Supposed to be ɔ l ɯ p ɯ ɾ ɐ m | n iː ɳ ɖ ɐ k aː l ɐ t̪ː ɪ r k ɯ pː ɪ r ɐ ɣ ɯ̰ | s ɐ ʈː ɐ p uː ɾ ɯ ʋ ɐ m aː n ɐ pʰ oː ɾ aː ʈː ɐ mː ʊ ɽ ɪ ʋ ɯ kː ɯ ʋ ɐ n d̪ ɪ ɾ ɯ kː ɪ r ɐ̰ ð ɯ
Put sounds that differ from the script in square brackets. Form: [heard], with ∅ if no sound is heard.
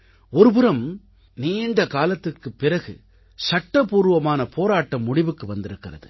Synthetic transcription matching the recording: ɔ [ɾ] ɯ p ɯ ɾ ɐ m | n iː ɳ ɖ ɐ k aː l ɐ t̪ː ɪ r k ɯ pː ɪ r ɐ ɣ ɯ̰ | s ɐ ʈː ɐ p uː ɾ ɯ ʋ ɐ m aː n ɐ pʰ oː ɾ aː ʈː ɐ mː ʊ ɽ ɪ ʋ ɯ kː ɯ ʋ ɐ n d̪ ɪ ɾ ɯ kː ɪ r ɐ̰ ð ɯ